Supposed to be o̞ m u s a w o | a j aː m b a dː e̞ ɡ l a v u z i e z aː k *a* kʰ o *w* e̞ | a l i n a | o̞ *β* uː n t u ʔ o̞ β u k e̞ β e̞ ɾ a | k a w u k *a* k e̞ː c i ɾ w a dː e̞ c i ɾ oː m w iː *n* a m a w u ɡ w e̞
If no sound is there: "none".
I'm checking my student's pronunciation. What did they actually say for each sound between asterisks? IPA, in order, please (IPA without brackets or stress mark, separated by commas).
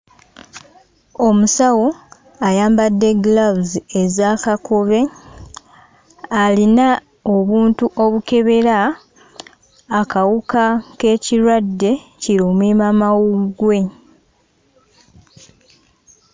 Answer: a, β, β, a, m